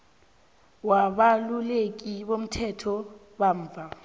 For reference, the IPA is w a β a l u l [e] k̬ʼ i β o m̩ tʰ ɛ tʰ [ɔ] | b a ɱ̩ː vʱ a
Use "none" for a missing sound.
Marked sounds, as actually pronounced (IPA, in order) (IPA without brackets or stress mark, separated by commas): e, ɔ